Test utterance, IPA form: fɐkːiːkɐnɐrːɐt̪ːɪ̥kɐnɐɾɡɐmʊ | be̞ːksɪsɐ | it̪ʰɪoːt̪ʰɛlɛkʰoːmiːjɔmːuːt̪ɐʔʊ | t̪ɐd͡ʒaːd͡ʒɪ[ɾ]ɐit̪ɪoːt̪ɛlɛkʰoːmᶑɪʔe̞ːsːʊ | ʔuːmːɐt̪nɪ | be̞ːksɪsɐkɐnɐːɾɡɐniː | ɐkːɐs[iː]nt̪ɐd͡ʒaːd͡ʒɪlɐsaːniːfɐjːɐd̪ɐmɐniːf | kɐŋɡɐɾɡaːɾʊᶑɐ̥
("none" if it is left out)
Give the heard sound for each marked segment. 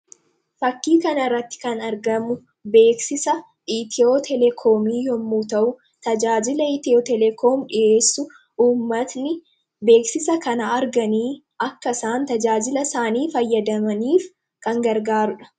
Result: l, aː

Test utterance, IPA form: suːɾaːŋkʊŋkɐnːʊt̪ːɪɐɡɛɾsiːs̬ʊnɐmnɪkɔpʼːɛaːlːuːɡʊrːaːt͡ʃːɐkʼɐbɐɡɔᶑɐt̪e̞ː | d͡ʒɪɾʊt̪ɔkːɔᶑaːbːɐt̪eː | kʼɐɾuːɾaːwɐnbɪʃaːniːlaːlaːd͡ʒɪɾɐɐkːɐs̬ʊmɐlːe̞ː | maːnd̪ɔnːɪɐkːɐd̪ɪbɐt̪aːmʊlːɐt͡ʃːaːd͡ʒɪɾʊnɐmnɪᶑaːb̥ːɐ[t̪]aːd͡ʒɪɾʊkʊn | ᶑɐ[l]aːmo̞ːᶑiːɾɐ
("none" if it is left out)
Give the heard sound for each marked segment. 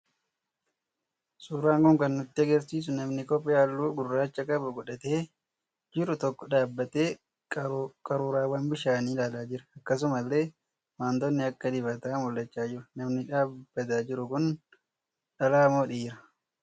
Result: t̪, l

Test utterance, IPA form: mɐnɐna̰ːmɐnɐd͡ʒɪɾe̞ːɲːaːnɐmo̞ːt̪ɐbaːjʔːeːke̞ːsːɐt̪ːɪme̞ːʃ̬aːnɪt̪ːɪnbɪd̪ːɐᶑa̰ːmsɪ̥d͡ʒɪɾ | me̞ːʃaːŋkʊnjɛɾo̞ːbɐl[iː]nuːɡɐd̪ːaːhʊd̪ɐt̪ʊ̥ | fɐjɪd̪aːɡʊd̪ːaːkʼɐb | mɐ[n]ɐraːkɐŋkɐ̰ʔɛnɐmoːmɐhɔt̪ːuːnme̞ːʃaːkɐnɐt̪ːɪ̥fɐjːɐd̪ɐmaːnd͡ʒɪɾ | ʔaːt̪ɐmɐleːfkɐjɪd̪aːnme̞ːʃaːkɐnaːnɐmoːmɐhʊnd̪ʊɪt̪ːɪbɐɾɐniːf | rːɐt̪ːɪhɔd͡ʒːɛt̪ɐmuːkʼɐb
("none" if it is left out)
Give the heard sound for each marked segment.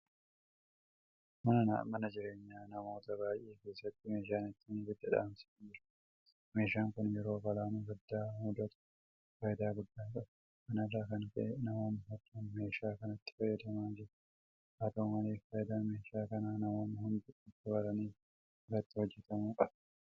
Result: aː, n

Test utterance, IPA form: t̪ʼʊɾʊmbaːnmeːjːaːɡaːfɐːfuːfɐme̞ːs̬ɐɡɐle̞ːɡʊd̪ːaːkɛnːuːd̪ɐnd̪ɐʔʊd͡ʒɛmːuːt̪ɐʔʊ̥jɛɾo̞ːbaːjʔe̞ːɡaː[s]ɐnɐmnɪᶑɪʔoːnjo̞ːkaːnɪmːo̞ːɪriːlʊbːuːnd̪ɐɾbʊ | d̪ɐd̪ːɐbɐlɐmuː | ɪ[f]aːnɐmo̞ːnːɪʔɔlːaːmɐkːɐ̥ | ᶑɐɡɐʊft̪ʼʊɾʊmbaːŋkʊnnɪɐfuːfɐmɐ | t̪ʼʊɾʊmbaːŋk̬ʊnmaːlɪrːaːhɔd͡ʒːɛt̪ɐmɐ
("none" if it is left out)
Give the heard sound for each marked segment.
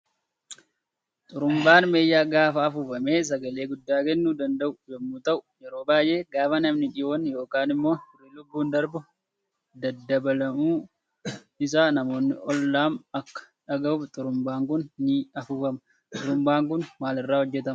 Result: f, s

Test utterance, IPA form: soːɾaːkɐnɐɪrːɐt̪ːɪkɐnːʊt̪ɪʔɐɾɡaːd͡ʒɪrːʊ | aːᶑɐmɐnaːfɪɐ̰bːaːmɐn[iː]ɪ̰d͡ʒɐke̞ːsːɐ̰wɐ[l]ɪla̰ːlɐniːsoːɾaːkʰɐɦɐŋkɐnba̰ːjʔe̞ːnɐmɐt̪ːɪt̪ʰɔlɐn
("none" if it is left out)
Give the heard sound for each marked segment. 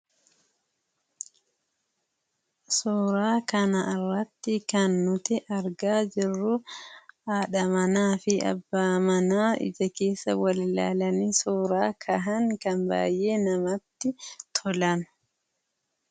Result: aː, l

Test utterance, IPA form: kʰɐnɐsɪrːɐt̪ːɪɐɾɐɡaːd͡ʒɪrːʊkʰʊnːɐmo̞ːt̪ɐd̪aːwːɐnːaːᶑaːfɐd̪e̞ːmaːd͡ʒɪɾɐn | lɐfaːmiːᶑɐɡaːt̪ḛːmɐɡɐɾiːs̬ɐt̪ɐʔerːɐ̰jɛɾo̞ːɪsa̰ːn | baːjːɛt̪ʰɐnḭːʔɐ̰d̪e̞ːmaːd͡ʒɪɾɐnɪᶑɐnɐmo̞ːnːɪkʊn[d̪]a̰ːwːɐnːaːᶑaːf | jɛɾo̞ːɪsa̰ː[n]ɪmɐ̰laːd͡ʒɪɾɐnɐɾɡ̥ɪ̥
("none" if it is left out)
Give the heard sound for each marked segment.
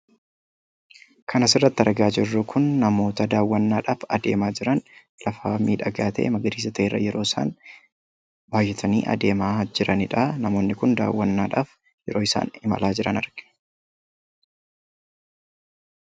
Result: d̪, n

